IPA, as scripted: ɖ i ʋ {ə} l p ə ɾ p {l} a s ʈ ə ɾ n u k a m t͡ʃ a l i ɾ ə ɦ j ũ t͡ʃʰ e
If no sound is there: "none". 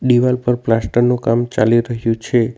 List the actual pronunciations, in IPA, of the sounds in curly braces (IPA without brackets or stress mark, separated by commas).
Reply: a, l